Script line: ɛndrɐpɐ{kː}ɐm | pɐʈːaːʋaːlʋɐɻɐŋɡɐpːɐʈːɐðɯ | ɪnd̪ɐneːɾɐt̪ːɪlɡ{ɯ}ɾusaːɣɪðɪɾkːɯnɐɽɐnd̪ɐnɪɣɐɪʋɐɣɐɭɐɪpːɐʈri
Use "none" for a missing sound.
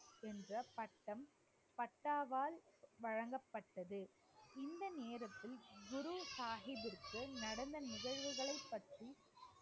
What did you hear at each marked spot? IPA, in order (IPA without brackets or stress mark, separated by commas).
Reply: ʈː, ʊ